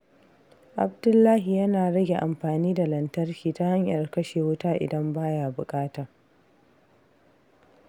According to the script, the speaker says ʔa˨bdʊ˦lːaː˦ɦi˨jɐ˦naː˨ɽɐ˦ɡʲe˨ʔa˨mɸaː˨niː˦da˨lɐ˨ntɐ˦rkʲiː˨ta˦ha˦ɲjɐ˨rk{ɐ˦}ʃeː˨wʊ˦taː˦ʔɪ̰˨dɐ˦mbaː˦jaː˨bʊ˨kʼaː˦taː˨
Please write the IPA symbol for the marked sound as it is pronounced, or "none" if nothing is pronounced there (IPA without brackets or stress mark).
ɐ˦